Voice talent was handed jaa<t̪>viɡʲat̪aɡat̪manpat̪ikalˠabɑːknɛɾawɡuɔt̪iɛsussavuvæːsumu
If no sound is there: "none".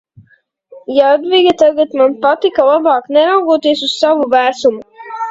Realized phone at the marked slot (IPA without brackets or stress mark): d̪